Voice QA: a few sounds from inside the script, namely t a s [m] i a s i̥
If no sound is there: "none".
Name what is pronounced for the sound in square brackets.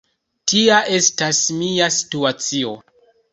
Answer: m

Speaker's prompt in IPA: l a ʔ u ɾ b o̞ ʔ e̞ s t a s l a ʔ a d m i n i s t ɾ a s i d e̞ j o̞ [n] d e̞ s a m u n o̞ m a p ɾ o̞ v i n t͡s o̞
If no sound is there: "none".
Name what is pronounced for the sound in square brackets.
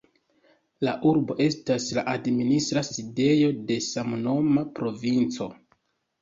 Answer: none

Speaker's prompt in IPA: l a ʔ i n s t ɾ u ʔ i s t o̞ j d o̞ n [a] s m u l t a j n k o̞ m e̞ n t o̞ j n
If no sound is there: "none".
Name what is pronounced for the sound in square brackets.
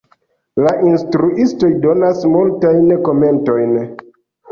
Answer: a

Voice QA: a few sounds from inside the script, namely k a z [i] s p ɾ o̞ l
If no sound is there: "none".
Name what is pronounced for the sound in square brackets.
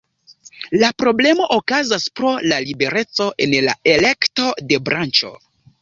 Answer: a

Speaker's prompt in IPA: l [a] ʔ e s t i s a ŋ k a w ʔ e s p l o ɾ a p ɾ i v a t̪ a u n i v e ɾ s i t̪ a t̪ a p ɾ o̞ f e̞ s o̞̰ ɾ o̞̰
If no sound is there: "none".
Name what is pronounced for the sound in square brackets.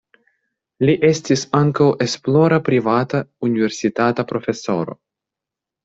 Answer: i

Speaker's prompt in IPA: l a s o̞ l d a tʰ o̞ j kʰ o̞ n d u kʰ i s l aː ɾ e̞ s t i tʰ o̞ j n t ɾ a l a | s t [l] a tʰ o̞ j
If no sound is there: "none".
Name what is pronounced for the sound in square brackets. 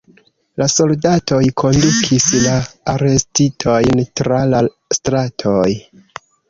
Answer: ɾ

